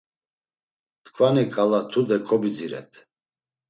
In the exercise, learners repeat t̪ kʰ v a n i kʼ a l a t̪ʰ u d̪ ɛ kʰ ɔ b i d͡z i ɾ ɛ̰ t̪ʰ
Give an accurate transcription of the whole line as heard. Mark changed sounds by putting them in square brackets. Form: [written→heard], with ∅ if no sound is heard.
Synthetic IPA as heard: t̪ kʰ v a n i kʼ a l a t̪ʰ u d̪ ɛ kʰ ɔ b i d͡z i ɾ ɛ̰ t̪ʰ